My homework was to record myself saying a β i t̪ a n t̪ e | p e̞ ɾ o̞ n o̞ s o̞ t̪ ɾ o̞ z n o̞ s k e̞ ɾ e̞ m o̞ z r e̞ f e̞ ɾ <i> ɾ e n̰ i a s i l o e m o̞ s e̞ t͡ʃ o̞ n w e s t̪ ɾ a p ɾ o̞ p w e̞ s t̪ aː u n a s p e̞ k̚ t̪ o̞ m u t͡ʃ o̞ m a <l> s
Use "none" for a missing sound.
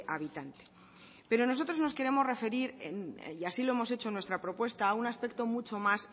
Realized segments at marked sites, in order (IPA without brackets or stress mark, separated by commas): i, none